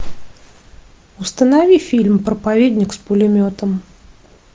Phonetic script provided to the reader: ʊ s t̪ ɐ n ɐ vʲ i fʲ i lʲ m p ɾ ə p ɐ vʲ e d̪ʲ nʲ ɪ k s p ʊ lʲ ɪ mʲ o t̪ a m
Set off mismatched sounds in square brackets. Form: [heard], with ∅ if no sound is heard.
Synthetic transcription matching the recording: ʊ s t̪ [ə] n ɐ vʲ i fʲ i lʲ m p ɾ ə p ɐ vʲ e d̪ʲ nʲ ɪ k s p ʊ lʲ ɪ mʲ o t̪ [ə] m